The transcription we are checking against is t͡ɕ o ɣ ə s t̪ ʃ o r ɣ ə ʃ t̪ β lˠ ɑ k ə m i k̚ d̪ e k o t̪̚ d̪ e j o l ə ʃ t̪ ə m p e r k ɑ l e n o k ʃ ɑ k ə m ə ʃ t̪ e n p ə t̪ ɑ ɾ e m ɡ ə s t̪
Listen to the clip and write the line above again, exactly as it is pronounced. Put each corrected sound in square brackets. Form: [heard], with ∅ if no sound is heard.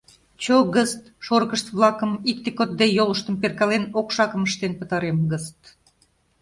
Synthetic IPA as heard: t͡ɕ o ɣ ə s t̪ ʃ o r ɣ ə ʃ t̪ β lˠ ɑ k ə m i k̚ [t̪] e k o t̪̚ d̪ e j o l ə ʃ t̪ ə m p e r k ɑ l e n o k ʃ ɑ k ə m ə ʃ t̪ e n p ə t̪ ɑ ɾ e m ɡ ə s t̪